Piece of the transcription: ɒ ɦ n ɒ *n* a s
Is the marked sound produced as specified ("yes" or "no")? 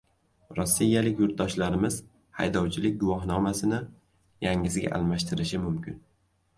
no